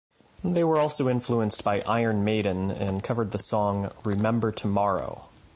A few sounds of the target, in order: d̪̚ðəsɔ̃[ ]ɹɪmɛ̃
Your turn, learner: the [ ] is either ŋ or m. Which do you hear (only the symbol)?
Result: ŋ